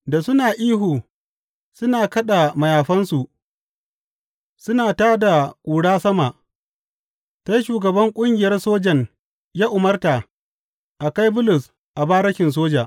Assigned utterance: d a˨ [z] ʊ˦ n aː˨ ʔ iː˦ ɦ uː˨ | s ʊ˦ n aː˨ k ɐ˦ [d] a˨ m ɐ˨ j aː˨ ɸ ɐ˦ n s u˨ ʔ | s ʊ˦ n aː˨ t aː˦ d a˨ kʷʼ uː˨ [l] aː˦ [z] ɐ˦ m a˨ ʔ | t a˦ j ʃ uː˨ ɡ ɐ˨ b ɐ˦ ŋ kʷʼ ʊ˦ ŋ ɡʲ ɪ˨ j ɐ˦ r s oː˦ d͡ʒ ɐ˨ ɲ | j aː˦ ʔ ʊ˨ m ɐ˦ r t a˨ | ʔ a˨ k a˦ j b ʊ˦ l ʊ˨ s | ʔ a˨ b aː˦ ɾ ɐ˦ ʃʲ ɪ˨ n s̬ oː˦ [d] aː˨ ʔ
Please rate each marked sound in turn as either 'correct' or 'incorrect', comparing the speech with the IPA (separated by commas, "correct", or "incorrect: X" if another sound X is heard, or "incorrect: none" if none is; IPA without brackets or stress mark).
incorrect: s, incorrect: ɗ, incorrect: ɽ, incorrect: s, incorrect: d͡ʒ